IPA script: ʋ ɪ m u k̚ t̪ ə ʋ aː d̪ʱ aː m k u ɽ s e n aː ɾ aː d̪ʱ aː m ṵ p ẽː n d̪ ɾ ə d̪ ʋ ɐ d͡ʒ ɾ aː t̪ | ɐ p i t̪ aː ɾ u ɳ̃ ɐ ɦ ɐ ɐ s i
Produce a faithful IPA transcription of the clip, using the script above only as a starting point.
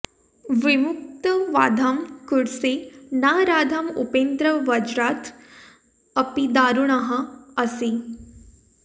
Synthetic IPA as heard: ʋ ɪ m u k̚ t̪ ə ʋ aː d̪ʱ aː m k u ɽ s e n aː ɾ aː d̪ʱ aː m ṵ p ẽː n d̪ ɾ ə ʋ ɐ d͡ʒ ɾ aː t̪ | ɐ p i d̪ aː ɾ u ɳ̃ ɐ ɦ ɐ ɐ s i